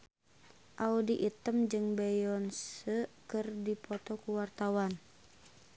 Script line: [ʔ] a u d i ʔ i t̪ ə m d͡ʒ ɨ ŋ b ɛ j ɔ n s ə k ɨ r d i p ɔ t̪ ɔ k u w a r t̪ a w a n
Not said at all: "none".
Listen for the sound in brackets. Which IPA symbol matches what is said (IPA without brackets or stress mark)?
ʔ